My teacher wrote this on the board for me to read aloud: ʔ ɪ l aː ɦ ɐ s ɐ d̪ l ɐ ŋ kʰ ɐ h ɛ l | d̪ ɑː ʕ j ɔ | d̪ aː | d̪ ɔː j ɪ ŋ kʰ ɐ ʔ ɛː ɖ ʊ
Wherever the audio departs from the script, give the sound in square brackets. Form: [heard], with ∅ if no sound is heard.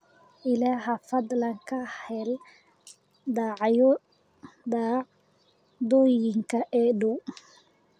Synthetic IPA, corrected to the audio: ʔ ɪ l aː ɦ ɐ [f] ɐ d̪ l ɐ ŋ kʰ ɐ h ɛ l | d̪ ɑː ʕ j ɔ | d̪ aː | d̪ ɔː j ɪ ŋ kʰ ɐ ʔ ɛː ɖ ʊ